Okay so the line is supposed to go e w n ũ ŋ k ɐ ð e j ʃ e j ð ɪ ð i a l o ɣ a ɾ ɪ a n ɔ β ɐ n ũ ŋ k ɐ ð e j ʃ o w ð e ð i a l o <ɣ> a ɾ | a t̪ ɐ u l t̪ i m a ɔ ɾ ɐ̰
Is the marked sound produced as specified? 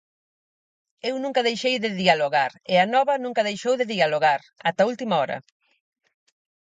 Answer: yes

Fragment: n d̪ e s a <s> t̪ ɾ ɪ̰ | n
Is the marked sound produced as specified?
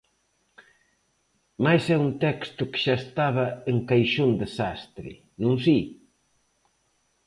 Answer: yes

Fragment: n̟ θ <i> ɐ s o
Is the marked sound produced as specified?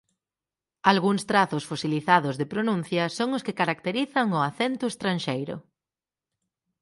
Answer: no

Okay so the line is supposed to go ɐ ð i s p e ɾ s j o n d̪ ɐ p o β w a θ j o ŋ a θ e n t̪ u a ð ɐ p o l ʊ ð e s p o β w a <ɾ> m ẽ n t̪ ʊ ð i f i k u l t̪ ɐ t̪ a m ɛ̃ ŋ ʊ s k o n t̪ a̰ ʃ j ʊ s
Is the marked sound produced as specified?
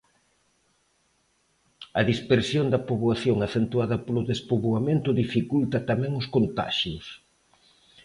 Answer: no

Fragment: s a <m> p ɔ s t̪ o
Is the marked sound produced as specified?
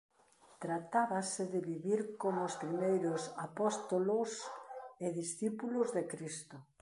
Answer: no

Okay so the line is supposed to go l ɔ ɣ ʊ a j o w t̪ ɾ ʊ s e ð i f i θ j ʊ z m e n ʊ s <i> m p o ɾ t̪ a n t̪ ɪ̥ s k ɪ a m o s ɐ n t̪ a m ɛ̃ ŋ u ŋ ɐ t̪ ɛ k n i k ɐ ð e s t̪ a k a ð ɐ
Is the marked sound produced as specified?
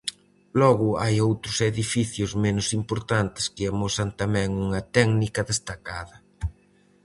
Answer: yes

